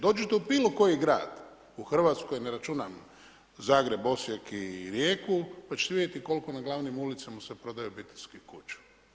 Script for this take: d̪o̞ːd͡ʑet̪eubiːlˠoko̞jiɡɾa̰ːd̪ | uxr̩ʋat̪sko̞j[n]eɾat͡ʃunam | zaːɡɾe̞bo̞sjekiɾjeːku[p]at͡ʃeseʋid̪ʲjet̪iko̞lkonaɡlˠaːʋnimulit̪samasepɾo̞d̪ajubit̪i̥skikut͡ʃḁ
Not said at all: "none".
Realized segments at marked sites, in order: n, p

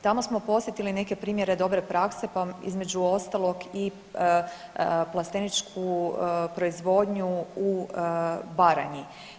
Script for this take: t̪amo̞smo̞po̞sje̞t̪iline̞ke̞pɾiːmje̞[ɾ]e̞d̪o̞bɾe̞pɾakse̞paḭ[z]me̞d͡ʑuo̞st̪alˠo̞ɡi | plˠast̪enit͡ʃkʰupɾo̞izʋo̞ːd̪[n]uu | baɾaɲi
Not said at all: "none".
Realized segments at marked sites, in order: ɾ, z, ɲ

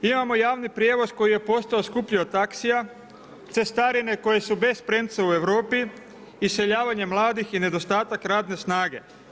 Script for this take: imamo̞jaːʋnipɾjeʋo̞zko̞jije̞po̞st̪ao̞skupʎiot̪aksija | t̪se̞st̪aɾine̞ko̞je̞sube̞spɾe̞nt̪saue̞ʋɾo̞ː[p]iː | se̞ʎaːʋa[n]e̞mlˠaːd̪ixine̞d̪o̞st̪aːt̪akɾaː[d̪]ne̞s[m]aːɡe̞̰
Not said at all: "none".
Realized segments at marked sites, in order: p, ɲ, d̪, n

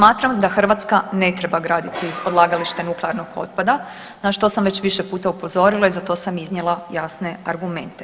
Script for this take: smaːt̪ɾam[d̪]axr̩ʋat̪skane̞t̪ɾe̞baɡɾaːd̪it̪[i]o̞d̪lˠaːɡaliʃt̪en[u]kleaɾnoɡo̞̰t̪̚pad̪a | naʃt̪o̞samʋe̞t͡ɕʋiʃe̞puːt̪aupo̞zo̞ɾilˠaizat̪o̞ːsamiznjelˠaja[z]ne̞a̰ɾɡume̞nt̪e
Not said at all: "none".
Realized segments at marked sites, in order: d̪, i, u, s

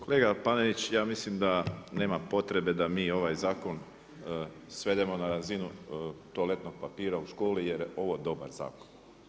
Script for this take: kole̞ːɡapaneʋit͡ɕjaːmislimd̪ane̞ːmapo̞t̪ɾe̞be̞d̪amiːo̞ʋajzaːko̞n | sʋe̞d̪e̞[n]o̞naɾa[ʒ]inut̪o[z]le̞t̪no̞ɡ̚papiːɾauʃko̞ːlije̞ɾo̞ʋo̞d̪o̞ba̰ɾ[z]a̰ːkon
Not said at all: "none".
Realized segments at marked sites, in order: m, z, none, z

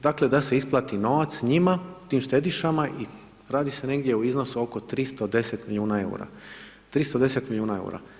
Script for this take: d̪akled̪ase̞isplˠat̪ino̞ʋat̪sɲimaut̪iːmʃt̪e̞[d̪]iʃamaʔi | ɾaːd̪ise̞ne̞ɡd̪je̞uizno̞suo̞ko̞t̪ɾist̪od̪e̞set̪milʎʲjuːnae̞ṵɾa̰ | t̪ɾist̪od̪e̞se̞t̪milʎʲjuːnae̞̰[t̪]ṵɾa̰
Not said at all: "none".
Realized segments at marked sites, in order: d̪, none

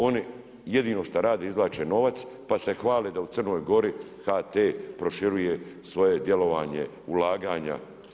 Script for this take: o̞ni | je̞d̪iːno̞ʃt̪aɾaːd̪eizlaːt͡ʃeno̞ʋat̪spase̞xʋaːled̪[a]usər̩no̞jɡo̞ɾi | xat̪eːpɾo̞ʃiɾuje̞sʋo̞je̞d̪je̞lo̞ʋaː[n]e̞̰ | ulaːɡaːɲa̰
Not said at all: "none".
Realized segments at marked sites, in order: a, ɲ

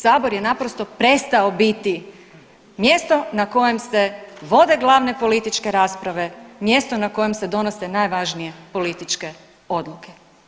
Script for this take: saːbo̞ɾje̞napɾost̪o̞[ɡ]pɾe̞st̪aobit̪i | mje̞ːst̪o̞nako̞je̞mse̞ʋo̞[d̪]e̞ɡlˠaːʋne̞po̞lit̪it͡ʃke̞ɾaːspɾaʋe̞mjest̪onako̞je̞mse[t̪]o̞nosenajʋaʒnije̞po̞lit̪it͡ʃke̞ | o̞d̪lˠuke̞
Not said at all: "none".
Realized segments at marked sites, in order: none, d̪, d̪

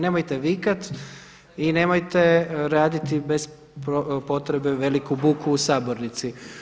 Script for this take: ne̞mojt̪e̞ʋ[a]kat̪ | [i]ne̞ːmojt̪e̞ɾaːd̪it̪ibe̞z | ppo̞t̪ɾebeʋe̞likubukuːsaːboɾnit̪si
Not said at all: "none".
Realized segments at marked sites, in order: i, i

